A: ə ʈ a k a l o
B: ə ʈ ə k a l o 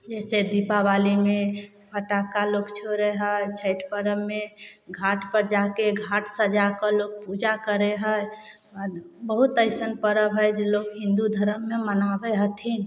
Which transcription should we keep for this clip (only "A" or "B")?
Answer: A